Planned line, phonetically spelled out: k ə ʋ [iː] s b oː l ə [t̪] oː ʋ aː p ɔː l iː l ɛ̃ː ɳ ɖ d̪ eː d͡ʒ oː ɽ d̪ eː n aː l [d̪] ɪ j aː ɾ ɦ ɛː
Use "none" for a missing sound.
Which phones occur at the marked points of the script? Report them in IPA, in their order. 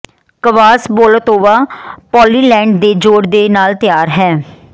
aː, t̪, t̪

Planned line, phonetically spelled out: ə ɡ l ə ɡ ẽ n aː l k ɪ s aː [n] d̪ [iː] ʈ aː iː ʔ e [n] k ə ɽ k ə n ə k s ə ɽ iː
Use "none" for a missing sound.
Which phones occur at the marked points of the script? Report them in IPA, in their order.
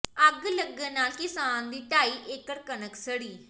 n, iː, none

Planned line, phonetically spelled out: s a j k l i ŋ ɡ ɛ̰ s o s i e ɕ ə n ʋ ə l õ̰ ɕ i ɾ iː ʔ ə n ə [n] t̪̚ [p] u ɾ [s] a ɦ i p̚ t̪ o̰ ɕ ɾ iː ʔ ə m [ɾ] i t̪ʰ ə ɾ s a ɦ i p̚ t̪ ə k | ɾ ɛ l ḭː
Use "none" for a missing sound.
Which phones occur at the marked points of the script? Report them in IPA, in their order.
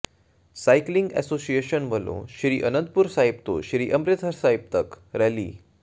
n, p, s, ɾ

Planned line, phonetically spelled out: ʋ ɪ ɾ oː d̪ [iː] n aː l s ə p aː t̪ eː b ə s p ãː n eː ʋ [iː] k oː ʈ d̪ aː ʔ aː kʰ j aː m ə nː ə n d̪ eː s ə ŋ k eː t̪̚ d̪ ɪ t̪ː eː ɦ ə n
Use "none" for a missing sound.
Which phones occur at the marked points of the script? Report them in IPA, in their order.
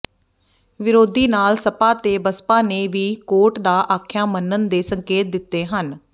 iː, iː

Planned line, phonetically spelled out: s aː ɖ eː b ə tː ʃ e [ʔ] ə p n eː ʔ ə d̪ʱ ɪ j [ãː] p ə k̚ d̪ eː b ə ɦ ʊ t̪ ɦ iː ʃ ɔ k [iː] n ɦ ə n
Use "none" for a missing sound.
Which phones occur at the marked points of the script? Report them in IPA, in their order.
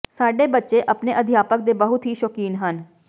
ʔ, aː, iː

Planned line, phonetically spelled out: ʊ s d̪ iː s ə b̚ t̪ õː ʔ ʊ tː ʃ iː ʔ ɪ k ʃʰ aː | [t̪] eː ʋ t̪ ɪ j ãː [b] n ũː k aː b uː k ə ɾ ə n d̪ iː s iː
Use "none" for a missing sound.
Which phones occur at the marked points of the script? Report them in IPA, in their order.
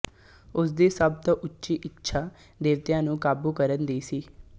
d̪, none

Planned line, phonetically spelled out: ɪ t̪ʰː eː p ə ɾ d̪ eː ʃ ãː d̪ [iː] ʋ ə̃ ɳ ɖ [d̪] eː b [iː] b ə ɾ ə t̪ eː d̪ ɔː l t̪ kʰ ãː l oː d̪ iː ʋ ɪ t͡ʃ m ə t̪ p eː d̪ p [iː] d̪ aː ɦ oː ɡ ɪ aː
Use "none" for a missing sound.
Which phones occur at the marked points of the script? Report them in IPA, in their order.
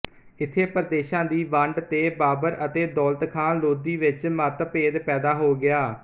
iː, t̪, aː, ɛː

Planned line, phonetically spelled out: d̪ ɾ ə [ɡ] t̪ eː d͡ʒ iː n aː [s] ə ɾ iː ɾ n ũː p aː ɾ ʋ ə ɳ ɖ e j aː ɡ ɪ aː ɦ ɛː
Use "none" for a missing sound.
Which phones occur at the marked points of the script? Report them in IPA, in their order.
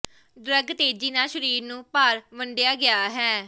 ɡ, ʃ

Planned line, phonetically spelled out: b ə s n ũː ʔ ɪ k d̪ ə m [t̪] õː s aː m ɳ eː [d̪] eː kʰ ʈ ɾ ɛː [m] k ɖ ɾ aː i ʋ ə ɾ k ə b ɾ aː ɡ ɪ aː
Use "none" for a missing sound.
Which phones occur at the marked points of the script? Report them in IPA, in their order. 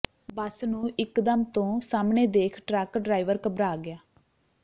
t̪, d̪, none

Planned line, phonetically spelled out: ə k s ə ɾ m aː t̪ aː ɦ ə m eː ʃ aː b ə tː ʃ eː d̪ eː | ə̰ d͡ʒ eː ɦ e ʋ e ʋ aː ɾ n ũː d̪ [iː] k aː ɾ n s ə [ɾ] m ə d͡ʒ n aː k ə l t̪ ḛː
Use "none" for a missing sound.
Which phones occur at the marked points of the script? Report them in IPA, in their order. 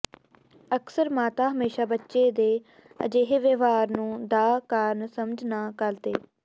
aː, none

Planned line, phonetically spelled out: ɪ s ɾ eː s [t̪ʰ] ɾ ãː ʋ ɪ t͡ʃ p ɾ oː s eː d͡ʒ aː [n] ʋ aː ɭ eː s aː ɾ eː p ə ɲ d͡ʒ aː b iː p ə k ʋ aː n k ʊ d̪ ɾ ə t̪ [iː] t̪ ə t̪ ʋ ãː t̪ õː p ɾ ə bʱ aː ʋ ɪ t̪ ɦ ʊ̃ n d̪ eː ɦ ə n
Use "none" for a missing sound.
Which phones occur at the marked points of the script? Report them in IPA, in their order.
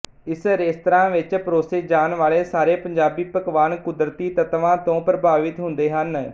t̪, n, iː

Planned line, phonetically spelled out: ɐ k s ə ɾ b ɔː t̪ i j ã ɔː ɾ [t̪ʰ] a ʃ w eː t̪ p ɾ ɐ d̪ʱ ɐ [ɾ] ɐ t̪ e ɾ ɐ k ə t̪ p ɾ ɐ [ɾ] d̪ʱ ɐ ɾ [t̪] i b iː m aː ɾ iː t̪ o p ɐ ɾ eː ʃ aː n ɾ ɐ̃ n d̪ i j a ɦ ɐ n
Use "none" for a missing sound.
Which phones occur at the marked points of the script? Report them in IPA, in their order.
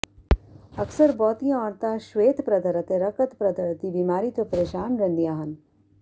t̪, ɾ, none, t̪

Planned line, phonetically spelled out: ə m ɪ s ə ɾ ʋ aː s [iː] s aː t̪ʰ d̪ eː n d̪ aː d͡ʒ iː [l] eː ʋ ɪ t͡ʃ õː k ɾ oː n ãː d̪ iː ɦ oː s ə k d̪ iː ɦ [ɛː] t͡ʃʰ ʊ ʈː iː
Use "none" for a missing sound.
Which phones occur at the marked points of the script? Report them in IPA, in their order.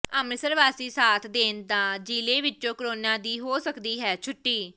iː, l, ɛː

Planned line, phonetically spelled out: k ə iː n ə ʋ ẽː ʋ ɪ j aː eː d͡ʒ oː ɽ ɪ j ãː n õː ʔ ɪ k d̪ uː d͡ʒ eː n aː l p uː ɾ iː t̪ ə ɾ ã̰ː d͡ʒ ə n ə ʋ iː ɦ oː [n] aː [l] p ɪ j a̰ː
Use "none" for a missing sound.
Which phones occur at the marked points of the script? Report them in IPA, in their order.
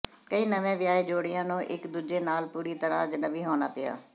n, none

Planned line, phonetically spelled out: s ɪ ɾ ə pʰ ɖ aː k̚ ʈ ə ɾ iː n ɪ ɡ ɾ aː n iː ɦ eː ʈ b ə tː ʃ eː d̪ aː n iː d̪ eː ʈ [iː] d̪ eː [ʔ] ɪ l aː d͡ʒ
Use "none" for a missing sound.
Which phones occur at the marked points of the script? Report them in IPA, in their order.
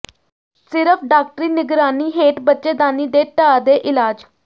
aː, ʔ

